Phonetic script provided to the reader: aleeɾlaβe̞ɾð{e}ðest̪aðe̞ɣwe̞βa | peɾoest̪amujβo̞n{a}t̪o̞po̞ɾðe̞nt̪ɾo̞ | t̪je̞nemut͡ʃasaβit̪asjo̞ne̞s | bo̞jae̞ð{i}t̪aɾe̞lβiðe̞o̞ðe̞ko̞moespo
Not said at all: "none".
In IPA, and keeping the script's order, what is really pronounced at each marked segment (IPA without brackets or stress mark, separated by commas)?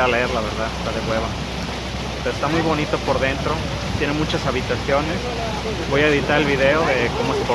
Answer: a, i, i